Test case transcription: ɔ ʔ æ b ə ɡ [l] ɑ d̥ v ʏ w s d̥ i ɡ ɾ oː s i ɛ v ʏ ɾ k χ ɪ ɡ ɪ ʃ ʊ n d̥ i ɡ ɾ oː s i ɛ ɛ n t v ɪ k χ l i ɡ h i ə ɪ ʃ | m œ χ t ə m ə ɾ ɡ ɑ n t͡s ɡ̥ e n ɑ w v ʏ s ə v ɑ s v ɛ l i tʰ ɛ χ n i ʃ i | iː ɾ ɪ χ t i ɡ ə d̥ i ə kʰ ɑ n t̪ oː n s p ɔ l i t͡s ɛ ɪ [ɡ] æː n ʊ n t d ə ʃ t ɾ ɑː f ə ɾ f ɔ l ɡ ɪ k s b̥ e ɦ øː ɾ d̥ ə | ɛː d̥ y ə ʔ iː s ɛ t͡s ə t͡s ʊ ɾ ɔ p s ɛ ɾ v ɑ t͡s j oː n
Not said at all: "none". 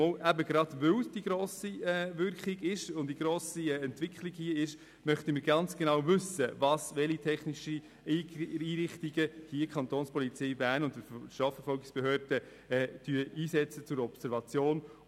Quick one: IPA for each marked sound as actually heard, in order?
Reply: ɾ, b

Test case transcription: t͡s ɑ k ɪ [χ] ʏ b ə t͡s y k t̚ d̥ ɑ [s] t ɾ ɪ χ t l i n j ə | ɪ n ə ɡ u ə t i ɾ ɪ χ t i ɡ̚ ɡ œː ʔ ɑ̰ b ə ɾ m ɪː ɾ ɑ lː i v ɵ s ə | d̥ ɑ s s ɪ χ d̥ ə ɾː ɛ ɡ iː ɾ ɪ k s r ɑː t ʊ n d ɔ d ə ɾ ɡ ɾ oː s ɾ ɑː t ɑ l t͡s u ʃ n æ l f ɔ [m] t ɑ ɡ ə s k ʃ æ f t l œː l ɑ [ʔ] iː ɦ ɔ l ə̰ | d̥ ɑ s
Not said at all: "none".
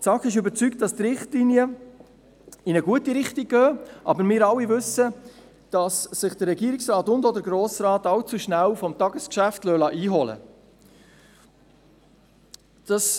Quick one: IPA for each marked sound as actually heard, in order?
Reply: ʃ, s, m, ʔ

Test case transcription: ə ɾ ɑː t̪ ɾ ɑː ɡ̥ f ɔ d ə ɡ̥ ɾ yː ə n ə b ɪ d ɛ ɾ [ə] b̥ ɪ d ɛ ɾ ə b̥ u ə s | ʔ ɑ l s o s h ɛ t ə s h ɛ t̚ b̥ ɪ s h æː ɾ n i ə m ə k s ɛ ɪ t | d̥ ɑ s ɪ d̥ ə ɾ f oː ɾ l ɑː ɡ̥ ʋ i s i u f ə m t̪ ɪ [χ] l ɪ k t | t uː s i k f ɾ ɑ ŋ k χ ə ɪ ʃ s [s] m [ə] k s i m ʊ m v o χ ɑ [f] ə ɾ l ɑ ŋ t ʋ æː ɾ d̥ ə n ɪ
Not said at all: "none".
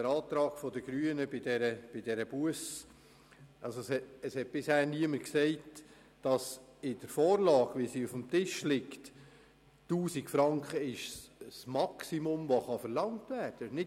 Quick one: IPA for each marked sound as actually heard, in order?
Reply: ə, ʃ, s, ɑ, f

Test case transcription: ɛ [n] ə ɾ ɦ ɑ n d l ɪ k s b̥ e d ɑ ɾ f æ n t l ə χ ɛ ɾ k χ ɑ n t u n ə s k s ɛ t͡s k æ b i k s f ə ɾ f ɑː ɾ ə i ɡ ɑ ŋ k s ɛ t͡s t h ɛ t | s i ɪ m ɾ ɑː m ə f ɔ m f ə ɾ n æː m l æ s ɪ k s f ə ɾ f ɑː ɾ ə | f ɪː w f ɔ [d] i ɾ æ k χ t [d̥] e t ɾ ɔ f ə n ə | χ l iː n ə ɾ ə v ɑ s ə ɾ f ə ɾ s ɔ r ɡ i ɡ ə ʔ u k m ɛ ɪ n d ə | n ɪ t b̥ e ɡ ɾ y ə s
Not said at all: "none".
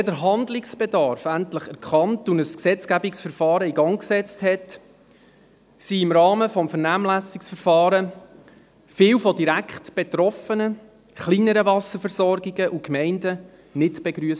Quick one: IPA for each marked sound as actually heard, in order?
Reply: d, d, b̥

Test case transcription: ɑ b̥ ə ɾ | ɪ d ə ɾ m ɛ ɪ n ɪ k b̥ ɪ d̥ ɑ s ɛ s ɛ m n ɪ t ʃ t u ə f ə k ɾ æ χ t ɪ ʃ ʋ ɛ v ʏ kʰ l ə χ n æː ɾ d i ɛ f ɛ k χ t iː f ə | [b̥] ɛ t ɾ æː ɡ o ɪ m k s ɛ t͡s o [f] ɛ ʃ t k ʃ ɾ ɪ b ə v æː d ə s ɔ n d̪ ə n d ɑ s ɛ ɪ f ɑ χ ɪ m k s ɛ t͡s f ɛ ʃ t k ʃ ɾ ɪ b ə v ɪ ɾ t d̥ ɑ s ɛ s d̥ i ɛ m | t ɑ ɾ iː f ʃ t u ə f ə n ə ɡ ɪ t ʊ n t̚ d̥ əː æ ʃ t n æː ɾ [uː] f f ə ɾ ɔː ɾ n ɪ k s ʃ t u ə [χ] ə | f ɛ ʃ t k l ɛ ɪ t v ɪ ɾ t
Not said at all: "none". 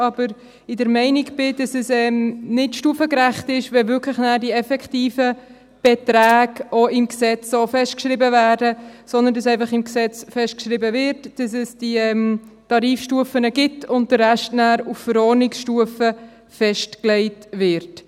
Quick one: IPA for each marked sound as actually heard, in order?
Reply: b̥, f, u, f

